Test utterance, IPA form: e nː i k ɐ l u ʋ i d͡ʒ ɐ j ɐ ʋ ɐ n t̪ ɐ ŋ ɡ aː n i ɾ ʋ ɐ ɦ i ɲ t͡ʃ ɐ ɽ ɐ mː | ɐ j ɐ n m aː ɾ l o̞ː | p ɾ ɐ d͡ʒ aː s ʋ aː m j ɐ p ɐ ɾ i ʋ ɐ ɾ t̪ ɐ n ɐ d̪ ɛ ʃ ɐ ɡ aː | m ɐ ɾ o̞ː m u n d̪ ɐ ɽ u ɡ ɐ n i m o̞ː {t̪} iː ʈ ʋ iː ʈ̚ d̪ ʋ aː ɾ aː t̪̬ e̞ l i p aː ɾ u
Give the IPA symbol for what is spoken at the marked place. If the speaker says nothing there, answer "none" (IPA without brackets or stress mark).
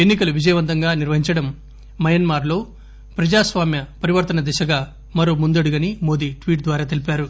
d̪